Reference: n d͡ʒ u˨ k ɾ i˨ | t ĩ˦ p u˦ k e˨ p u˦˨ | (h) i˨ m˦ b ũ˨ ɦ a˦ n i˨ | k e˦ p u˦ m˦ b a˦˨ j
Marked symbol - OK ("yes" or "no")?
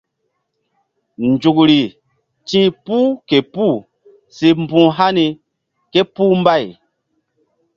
no